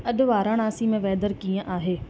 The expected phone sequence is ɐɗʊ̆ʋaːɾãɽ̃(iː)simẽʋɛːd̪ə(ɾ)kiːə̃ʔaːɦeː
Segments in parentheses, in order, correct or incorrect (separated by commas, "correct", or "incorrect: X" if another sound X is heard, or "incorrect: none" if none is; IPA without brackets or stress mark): incorrect: aː, correct